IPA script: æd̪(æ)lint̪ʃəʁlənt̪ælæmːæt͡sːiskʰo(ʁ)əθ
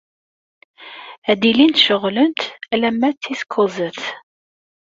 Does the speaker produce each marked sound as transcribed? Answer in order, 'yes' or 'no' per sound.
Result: no, no

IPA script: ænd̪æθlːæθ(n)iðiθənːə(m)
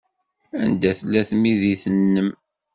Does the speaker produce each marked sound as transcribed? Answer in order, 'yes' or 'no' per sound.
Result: no, yes

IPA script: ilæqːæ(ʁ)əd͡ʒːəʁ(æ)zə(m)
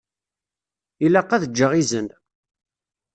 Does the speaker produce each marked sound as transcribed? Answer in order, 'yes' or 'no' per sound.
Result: no, no, no

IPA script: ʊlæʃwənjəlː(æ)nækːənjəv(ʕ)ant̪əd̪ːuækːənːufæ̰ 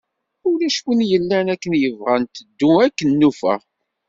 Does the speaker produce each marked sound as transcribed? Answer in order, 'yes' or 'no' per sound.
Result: yes, no

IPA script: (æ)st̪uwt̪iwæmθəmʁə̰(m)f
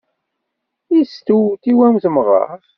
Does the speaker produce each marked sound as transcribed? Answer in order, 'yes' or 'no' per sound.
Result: no, no

